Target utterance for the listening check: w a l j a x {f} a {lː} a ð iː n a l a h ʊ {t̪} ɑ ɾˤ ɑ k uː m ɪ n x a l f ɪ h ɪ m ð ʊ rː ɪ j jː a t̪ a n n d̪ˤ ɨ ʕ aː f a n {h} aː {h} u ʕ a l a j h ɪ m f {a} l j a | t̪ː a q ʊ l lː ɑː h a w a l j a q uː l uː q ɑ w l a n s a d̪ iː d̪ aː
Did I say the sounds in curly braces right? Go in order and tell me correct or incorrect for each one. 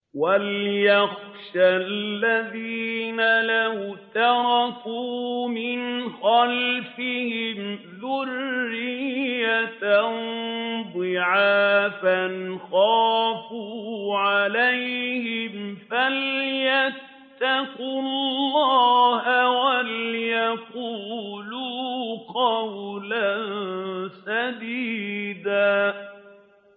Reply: incorrect: ʃ, correct, correct, incorrect: x, incorrect: f, correct

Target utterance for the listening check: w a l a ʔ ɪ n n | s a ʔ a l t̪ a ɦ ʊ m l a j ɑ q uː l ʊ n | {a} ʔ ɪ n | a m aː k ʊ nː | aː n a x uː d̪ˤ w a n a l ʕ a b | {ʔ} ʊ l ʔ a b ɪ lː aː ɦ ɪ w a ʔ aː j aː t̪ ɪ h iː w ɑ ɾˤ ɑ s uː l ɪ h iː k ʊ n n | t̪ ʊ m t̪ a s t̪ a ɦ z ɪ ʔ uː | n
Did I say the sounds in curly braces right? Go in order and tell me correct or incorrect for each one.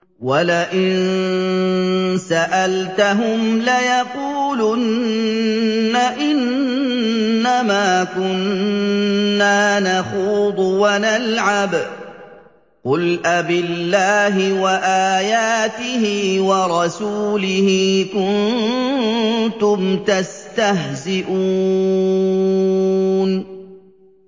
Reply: correct, incorrect: q

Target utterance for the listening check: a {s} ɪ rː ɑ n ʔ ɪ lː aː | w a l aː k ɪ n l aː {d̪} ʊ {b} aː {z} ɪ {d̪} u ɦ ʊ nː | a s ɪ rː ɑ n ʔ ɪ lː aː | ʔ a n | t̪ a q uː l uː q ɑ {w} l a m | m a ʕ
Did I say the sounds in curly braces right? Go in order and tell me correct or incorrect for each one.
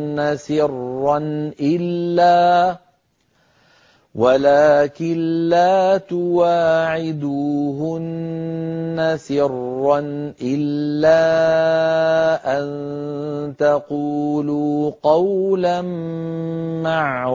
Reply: correct, incorrect: t̪, incorrect: w, incorrect: ʕ, correct, correct

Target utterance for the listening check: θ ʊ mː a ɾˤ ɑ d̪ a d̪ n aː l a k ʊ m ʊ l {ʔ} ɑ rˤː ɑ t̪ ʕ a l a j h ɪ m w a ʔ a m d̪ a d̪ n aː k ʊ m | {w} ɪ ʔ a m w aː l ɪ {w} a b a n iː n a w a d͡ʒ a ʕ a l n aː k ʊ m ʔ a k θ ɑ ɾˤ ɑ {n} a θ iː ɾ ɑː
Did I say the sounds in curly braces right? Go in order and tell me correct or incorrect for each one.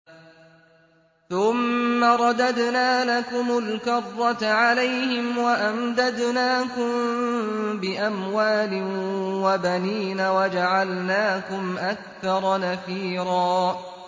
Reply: incorrect: k, incorrect: b, correct, correct

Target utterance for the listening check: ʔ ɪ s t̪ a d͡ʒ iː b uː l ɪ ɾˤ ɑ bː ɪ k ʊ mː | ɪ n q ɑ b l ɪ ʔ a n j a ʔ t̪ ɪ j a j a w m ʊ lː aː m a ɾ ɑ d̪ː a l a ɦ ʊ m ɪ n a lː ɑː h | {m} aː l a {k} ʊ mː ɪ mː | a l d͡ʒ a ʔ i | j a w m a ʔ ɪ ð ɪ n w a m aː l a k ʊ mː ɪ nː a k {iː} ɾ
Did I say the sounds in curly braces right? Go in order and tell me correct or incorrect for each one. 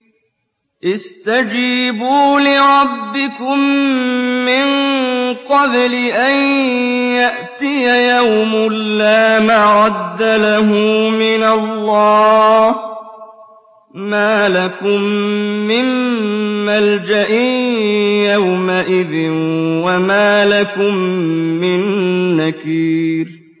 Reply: correct, correct, correct

